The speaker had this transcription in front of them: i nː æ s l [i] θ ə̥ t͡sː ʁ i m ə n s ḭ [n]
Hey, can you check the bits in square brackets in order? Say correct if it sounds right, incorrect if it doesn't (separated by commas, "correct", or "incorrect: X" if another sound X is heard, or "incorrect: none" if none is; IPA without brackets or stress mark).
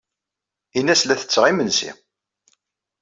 incorrect: æ, incorrect: none